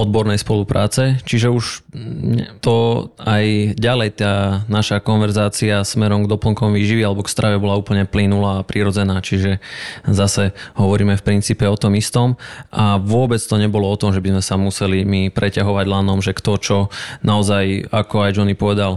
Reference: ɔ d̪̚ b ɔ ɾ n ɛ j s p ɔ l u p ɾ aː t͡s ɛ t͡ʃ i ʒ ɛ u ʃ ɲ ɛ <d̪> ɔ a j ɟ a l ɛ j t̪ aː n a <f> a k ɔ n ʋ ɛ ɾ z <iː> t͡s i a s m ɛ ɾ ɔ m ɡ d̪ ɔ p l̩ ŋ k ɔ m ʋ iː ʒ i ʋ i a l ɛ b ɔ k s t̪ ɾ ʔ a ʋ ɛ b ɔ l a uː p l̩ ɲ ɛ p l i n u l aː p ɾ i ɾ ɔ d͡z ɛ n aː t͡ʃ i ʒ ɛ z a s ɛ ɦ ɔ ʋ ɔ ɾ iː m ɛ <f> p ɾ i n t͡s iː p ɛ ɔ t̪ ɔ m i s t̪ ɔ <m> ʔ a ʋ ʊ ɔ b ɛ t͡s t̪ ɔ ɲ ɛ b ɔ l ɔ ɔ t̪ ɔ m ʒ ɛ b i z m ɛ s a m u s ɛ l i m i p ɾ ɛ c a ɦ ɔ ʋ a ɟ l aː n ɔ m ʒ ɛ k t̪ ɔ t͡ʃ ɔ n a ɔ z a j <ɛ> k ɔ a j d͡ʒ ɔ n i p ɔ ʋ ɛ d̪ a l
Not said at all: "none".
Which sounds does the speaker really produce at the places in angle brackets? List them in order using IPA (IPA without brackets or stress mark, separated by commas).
t̪, ʃ, aː, f, m, a